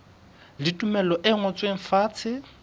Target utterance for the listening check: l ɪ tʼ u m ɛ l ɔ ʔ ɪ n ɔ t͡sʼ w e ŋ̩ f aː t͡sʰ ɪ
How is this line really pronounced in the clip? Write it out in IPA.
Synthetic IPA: l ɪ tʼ u m ɛ l ɔ ʔ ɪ ŋ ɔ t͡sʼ w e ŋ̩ f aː t͡sʰ ɪ